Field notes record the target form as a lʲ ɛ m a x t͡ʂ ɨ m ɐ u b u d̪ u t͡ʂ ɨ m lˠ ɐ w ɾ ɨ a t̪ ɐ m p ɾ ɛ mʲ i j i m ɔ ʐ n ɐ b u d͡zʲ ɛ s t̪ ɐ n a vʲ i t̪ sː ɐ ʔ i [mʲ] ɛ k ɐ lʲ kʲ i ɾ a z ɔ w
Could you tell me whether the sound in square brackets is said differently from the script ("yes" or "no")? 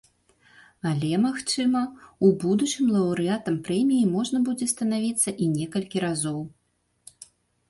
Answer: yes